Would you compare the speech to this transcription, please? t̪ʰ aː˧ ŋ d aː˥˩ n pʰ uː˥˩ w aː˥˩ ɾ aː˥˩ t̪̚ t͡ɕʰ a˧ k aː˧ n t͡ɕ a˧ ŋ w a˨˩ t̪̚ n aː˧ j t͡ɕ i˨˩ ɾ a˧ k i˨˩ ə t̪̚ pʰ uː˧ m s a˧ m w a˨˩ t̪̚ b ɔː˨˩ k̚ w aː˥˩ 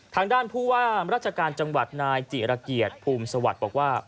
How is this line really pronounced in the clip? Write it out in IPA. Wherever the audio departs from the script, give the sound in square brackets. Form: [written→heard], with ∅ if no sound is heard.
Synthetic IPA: t̪ʰ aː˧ ŋ d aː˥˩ n pʰ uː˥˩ w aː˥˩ ɾ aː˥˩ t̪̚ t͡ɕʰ a˧ k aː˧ n t͡ɕ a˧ ŋ w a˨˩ t̪̚ n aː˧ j t͡ɕ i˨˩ ɾ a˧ k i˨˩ ə t̪̚ pʰ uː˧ m s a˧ [m→∅] w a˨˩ t̪̚ b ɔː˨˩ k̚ w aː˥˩